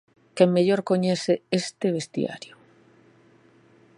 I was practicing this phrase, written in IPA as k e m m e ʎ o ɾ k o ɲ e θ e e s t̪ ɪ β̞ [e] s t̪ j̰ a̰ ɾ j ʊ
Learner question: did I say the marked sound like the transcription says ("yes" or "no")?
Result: yes